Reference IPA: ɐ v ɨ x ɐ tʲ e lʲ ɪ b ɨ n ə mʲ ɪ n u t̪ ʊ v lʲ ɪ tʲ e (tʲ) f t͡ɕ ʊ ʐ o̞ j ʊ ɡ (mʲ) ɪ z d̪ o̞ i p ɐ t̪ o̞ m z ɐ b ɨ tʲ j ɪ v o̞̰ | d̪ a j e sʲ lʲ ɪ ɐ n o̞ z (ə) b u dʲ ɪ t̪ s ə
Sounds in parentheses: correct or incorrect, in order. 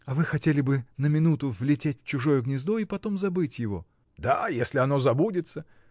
correct, incorrect: nʲ, incorrect: ɐ

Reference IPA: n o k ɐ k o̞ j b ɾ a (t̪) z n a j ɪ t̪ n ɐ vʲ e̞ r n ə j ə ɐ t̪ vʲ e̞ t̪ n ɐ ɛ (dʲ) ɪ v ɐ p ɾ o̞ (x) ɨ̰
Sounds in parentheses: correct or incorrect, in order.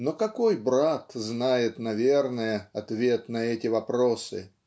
correct, incorrect: tʲ, incorrect: s

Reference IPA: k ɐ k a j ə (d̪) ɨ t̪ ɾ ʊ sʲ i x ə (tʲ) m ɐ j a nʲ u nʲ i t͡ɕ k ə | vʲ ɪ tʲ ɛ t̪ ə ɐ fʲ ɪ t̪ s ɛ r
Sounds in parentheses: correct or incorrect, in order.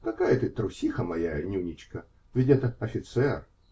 incorrect: t̪, incorrect: none

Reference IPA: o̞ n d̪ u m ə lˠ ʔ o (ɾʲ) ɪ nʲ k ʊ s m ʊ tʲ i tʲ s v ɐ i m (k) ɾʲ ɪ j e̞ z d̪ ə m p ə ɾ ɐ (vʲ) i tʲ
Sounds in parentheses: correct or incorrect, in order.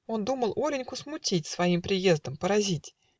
correct, incorrect: p, incorrect: zʲ

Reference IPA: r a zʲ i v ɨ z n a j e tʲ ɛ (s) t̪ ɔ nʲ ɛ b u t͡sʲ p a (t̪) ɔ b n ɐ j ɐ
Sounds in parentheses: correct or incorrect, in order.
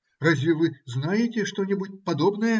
incorrect: ʂ, incorrect: d̪

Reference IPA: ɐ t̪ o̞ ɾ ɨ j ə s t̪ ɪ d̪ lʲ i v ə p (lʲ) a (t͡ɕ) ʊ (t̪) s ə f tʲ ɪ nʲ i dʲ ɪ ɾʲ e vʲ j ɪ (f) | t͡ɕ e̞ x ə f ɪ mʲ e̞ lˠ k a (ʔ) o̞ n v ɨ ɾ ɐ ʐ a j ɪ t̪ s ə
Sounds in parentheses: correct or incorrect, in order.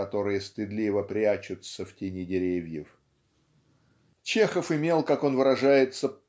incorrect: ɾʲ, correct, correct, correct, incorrect: k

